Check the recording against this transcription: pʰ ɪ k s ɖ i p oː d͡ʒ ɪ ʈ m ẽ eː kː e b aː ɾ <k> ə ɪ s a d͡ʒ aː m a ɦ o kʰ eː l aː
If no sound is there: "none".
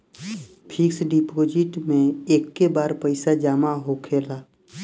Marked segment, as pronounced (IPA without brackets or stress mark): p